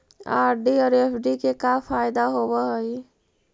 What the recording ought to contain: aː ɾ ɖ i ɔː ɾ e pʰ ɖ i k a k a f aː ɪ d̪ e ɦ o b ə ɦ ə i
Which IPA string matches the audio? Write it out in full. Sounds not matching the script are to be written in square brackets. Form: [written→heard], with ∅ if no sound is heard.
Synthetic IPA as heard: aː ɾ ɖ i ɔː ɾ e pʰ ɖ i k [a→e] k a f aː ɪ d̪ [e→a] ɦ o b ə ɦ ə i